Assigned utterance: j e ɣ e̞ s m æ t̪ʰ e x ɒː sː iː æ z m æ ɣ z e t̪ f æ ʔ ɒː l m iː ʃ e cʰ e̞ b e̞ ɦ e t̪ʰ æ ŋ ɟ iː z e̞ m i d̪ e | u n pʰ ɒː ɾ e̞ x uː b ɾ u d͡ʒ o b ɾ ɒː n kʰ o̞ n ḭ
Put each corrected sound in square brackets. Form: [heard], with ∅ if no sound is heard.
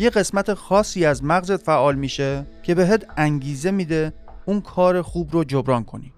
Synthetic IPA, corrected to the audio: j e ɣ e̞ s m æ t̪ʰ e x ɒː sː iː æ z m æ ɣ z e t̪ f æ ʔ ɒː l m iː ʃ e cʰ e̞ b e̞ ɦ e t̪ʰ æ ŋ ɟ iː z e̞ m i d̪ e | u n [kʰ] ɒː ɾ e̞ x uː b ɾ [o] d͡ʒ o b ɾ ɒː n kʰ o̞ n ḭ